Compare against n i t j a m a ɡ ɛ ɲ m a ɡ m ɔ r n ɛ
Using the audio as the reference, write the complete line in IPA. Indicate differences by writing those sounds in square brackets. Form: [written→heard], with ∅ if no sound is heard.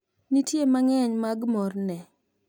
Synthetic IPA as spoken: n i t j [a→e] m a [ɡ→ŋ] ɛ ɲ m a ɡ m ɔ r n ɛ

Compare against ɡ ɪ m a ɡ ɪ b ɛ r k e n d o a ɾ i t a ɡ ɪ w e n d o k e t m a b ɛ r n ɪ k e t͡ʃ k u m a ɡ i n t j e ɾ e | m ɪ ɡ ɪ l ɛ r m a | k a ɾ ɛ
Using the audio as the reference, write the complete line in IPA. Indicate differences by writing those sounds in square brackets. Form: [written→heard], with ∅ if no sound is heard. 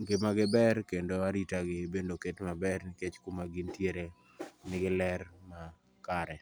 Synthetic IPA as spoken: ɡ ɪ m a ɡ ɪ b ɛ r k e n d o a ɾ i t a ɡ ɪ [w→b] e n d o k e t m a b ɛ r n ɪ k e t͡ʃ k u m a ɡ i n t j e ɾ e | [m→n] ɪ ɡ ɪ l ɛ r m a | k a ɾ ɛ

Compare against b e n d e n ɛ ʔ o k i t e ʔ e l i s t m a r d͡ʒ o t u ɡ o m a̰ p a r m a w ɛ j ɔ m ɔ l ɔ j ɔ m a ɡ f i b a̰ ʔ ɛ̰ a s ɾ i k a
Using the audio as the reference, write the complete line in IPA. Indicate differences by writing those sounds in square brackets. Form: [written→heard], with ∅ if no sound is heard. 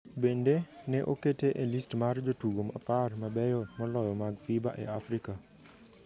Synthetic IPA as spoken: b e n d e n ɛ ʔ o k [i→e] t e ʔ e l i s t m a r d͡ʒ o t u ɡ o m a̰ p a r m a [w→b] ɛ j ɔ m ɔ l ɔ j ɔ m a ɡ f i b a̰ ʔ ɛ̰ a [s→f] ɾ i k a

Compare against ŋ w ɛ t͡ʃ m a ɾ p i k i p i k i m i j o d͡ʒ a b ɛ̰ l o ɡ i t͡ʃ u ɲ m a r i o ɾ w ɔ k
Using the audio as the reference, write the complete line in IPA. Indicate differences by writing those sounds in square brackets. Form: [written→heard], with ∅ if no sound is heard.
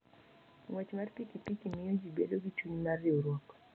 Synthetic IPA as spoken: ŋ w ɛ t͡ʃ m a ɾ p i k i p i k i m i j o d͡ʒ [a→i] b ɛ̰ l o ɡ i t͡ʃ u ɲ m a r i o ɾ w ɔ k

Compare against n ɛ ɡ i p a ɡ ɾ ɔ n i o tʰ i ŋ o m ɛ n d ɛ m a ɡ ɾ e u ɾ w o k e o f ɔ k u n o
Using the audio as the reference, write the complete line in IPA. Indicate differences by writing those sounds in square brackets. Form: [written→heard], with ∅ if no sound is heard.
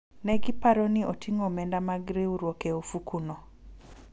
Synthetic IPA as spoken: n ɛ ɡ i p a [ɡ→∅] ɾ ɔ n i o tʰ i ŋ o m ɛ n d [ɛ→a] m a ɡ ɾ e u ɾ w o k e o f [ɔ→u] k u n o

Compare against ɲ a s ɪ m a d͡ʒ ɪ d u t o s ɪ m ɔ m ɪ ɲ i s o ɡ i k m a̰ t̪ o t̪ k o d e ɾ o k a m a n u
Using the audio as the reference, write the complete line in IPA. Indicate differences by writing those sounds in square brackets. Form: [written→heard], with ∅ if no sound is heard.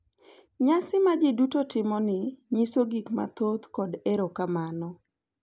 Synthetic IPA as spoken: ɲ a s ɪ m a d͡ʒ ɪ d u t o [s→t] ɪ m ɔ [m→n] ɪ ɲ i s o ɡ i k m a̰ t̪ o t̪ k [o→ɔ] d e ɾ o k a m a n [u→ɔ]

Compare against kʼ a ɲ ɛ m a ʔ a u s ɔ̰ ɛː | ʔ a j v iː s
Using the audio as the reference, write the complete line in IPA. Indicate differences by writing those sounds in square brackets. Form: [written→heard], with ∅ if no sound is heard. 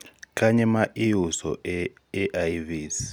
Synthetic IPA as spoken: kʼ a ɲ ɛ m a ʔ [a→i] u s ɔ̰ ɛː | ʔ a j v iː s

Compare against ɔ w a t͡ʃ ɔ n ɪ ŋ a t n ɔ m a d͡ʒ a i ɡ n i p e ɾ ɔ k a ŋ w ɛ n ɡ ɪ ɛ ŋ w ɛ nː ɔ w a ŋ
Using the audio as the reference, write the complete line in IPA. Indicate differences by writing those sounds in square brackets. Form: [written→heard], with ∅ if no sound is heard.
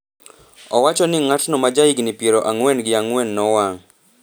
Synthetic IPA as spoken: ɔ w a t͡ʃ ɔ n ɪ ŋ a t n ɔ m a d͡ʒ a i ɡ n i p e ɾ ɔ [k→ʔ] a ŋ w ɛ n ɡ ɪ [ɛ→a] ŋ w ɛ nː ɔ w a ŋ

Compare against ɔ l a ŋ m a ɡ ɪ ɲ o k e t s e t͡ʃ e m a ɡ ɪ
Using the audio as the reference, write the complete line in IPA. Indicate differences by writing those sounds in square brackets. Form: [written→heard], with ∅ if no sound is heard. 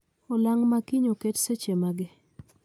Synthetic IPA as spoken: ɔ l a ŋ m a [ɡ→k] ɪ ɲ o k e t s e t͡ʃ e m a ɡ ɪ

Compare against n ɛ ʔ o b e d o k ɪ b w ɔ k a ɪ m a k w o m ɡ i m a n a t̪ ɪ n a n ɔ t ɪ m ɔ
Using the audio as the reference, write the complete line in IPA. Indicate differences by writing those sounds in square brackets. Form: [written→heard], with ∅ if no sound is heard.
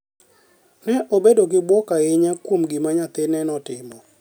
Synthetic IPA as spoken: n ɛ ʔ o b e d o k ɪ b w ɔ k a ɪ [m→ɲ] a k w o m ɡ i m a [n→ɲ] a t̪ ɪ n [a→ɛ] n ɔ t ɪ m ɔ

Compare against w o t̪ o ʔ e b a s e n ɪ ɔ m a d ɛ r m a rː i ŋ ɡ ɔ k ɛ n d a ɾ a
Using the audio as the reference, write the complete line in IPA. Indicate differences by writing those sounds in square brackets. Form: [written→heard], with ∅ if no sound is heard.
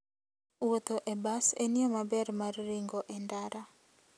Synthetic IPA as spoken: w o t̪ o ʔ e b a s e n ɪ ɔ m a [d→b] ɛ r m a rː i ŋ ɡ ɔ [k→ʔ] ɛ n d a ɾ a

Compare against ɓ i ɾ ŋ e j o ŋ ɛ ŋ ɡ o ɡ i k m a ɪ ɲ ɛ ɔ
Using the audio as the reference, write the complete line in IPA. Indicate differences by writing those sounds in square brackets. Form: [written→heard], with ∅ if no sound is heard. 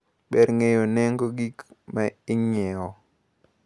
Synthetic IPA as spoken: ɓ [i→ɛ] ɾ ŋ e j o [ŋ→n] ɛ ŋ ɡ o ɡ i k m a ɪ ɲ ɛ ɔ

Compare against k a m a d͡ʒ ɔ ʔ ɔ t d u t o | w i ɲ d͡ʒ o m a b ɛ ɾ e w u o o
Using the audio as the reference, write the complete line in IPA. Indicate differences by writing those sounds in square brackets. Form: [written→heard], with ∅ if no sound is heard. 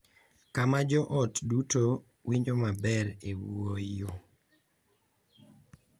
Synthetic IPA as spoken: k a m a d͡ʒ ɔ ʔ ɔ t d u t o | w i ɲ d͡ʒ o m a b ɛ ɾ e w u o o

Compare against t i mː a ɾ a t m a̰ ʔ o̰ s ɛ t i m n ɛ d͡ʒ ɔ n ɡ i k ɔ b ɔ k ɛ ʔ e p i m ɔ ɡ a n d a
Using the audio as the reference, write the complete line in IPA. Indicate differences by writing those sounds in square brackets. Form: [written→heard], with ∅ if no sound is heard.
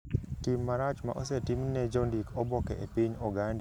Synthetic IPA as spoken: t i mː a ɾ a [t→t͡ʃ] m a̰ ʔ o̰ s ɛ t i m n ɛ d͡ʒ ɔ n [ɡ→d] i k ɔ b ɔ k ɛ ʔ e p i [m→ɲ] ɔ ɡ a n d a

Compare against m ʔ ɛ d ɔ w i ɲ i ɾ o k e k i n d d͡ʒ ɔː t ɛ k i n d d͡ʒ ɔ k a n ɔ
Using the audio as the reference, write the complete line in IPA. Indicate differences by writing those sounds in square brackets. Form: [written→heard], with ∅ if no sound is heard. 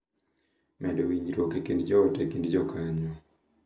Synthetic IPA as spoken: m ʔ ɛ d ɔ w i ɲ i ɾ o k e k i n d d͡ʒ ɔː t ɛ k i n d d͡ʒ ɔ k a [n→ɲ] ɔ

